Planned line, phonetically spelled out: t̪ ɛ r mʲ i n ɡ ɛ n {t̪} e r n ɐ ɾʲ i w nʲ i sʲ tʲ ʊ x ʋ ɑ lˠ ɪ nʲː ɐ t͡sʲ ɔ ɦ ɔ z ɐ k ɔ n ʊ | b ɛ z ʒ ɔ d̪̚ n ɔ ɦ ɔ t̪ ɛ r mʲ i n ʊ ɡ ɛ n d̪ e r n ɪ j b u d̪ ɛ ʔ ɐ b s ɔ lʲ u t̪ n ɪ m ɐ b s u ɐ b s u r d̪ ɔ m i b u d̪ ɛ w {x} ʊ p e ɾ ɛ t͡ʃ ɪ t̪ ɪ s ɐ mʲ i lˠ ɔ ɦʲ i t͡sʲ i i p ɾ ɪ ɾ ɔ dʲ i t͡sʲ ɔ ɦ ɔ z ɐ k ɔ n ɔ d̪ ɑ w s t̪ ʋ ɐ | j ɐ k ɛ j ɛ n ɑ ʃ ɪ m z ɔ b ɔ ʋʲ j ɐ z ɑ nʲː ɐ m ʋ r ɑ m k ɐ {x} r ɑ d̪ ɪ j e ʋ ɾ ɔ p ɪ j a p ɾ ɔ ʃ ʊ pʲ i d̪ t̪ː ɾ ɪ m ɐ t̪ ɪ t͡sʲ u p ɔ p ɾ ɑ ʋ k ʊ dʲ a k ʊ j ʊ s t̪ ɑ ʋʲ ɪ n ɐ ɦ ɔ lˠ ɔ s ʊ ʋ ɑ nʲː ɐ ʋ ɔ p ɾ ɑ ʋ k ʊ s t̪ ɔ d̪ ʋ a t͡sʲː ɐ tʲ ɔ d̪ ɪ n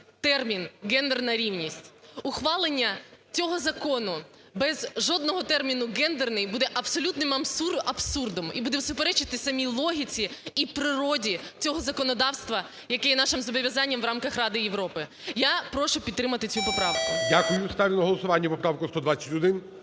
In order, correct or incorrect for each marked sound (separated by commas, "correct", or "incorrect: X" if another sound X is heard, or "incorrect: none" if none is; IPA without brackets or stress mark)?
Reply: incorrect: d̪, incorrect: s, correct